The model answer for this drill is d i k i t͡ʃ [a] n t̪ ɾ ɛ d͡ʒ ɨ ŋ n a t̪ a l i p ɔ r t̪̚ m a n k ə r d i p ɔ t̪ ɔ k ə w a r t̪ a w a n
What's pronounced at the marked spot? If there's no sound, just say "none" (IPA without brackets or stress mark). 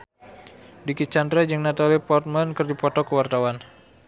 a